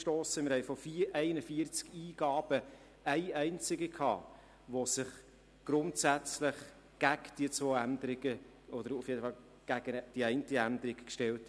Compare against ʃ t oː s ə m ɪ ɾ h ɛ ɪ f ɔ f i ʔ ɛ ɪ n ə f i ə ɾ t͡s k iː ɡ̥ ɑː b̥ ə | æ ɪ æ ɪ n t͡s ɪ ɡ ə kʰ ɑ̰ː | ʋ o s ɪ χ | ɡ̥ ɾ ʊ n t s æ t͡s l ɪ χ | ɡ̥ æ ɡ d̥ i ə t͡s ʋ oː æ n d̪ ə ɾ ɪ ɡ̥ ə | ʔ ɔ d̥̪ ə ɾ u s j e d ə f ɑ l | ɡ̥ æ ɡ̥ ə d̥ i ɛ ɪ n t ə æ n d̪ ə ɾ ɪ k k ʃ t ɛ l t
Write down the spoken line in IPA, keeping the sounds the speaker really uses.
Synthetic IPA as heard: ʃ t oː s ə m ɪ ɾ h ɛ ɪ f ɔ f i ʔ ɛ ɪ n ə f i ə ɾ t͡s k iː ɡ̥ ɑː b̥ ə | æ ɪ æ ɪ n t͡s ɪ ɡ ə kʰ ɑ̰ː | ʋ o s ɪ χ | ɡ̥ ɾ ʊ n t s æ t͡s l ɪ χ | ɡ̥ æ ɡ d̥ i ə t͡s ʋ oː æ n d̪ ə ɾ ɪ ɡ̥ ə | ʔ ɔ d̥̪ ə ɾ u f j e d ə f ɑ l | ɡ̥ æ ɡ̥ ə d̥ i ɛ ɪ n t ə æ n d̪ ə ɾ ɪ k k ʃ t ɛ l t